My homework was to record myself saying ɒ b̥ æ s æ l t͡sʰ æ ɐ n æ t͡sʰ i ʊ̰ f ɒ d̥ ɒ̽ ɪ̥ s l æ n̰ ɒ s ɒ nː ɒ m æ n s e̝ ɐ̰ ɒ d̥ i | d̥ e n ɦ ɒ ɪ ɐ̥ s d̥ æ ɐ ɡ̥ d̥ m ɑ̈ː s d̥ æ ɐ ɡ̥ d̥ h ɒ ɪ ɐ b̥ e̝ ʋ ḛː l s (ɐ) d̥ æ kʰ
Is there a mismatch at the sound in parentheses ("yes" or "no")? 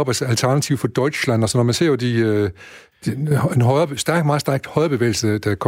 yes